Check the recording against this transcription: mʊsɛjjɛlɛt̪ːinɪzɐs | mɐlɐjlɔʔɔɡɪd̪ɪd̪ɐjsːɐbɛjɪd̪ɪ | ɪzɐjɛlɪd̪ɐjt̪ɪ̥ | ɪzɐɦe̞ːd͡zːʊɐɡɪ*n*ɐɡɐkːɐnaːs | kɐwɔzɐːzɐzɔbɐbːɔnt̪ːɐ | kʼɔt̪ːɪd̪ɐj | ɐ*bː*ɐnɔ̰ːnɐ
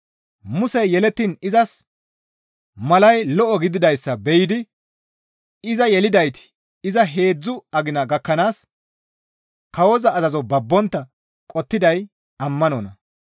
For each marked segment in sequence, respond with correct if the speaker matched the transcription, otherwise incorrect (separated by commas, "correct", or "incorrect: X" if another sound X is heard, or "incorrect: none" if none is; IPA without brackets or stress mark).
correct, incorrect: mː